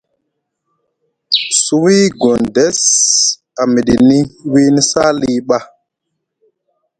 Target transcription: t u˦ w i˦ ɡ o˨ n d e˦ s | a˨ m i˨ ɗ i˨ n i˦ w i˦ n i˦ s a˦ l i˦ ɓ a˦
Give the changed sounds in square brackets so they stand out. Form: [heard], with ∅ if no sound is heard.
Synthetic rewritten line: [s] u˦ w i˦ ɡ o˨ n d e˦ s | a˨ m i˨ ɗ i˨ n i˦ w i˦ n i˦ s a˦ l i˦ ɓ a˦